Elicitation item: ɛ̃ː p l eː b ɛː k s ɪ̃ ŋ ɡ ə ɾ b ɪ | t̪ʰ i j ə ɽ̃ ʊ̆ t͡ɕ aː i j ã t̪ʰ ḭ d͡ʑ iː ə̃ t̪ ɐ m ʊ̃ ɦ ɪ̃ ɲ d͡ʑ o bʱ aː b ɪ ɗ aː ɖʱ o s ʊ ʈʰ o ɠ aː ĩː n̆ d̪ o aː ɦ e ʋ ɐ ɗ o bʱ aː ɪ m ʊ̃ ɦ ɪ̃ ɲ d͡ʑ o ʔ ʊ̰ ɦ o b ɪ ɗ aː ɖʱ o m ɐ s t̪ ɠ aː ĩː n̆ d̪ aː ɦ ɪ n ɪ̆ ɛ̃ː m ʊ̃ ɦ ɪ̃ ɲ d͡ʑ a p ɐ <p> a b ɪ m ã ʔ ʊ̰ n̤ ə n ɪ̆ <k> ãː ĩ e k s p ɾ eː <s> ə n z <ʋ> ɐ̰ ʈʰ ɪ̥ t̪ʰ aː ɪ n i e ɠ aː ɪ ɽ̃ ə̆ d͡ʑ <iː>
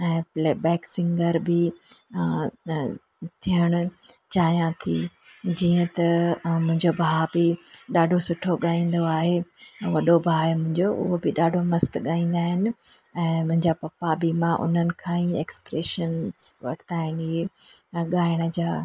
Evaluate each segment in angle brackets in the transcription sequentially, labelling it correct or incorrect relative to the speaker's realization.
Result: correct, incorrect: kʰ, incorrect: ʃ, correct, incorrect: aː

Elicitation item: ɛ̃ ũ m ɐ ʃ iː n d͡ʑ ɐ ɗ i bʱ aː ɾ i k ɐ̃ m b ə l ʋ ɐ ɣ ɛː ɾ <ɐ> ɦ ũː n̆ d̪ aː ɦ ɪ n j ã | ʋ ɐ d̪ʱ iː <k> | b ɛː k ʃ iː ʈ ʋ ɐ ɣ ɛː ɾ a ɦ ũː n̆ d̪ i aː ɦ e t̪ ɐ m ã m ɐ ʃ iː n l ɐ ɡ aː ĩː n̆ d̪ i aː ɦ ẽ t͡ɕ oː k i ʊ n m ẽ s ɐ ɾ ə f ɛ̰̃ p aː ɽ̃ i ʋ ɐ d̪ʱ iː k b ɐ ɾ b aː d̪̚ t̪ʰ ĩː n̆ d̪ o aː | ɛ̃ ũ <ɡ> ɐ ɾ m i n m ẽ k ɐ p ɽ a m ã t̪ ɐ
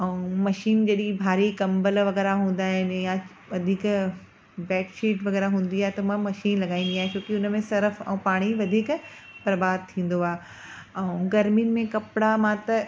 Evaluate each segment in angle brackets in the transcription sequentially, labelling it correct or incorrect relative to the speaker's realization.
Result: incorrect: a, correct, correct

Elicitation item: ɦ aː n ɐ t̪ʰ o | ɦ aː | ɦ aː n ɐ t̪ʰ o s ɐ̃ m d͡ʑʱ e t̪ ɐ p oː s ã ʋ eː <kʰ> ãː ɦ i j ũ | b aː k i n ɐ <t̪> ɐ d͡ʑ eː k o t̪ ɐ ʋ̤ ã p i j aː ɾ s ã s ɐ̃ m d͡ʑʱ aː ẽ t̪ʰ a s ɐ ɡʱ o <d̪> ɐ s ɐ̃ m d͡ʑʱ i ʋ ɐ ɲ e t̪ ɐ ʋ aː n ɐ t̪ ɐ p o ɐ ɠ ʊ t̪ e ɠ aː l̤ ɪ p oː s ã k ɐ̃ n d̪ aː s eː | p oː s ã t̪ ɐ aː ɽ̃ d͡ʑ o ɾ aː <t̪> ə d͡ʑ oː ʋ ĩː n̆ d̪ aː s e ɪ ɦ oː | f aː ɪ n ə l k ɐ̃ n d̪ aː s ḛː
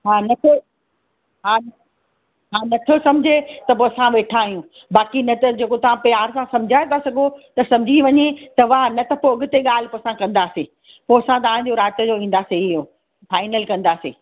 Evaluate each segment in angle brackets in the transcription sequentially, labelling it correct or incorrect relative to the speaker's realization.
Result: incorrect: ʈʰ, correct, incorrect: t̪, correct

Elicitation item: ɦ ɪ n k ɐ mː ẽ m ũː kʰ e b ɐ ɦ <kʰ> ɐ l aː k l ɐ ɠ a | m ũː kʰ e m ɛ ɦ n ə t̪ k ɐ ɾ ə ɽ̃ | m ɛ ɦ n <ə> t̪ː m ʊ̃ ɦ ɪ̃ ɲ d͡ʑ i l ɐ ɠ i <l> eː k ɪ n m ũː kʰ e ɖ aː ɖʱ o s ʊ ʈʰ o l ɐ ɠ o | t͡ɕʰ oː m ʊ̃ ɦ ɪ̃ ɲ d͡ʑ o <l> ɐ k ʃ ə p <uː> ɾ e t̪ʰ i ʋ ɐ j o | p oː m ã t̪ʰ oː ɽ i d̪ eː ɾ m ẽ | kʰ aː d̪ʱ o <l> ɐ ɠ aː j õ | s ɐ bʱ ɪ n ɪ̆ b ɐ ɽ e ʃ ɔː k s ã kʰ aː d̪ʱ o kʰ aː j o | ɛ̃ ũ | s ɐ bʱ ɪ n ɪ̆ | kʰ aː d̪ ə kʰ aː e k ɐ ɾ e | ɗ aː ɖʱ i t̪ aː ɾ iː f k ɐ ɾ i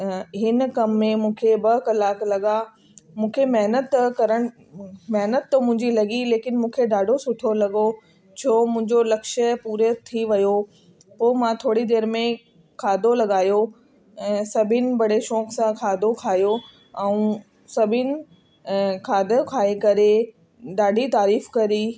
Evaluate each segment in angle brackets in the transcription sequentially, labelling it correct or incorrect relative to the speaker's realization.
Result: incorrect: k, correct, correct, correct, correct, correct

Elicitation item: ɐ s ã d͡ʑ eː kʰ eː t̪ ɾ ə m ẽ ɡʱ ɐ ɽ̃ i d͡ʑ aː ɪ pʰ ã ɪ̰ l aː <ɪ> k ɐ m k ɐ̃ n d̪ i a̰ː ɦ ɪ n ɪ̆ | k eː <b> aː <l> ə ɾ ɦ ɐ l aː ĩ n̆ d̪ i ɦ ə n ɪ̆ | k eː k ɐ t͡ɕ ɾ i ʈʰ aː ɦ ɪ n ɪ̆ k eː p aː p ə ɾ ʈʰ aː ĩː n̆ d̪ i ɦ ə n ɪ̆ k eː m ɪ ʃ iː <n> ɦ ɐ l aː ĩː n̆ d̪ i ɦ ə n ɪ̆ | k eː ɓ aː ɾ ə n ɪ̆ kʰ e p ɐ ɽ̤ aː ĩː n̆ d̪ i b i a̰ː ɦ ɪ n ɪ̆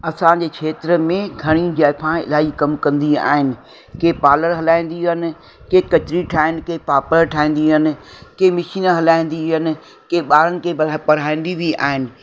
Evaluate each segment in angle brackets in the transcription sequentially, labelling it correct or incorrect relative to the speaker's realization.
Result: incorrect: i, incorrect: p, correct, correct

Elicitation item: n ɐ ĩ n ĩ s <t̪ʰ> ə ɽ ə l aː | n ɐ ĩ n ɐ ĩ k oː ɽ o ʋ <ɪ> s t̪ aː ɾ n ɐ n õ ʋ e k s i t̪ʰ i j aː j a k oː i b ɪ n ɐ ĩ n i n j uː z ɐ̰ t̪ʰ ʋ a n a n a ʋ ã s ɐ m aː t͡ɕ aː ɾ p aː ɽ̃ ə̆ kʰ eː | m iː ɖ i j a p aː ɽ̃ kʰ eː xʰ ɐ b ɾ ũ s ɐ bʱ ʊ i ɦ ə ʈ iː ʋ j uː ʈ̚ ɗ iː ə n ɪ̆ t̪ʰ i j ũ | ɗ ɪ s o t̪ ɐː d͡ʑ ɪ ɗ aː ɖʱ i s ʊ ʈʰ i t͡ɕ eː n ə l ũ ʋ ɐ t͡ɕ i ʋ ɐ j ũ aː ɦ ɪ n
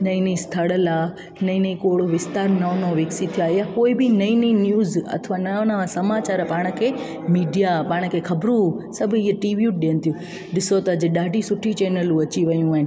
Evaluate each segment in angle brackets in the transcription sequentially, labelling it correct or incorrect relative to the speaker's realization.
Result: correct, correct

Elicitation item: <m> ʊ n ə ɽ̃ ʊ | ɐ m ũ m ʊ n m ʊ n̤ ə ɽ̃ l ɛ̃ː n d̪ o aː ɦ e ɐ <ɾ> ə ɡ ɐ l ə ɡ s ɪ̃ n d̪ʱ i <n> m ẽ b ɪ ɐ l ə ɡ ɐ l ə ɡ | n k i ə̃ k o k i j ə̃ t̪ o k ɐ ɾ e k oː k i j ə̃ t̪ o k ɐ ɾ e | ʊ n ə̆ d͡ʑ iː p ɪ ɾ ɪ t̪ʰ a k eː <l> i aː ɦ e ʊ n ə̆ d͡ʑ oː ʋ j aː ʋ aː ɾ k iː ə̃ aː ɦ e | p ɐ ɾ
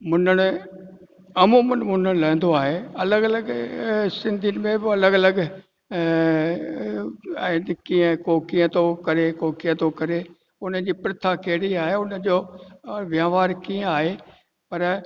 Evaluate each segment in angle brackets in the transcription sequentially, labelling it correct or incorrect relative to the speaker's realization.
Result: correct, incorrect: l, correct, incorrect: ɽ

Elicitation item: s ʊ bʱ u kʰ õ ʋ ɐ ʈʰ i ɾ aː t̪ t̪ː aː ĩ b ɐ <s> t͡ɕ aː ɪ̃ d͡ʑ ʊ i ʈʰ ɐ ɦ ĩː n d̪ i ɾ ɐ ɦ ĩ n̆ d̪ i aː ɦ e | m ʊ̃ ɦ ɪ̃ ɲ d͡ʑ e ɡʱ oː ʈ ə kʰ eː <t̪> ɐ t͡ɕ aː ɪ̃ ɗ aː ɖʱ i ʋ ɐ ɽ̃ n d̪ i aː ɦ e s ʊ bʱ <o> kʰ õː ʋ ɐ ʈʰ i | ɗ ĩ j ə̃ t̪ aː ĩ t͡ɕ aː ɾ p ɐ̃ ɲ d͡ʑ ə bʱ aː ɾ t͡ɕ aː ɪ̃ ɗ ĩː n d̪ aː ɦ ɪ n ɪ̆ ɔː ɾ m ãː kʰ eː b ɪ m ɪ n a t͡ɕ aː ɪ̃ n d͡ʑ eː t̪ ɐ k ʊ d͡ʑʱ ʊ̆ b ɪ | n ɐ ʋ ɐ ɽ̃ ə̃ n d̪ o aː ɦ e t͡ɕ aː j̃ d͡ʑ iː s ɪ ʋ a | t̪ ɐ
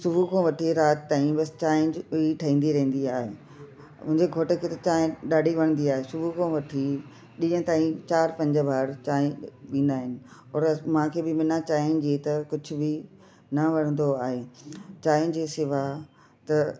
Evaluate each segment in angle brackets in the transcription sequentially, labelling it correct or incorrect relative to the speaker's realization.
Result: correct, correct, incorrect: u

